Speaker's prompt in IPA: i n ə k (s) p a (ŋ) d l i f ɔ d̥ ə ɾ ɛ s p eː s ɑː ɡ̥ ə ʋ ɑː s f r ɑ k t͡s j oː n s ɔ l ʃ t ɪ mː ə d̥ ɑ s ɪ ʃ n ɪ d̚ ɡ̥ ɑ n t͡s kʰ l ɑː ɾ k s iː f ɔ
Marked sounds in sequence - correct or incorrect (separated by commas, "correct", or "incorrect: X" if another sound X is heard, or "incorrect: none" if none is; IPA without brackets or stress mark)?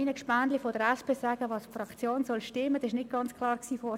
incorrect: ʃ, incorrect: n